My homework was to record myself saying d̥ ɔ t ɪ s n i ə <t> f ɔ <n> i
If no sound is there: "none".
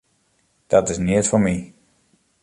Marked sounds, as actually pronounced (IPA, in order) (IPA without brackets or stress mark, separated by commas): t, m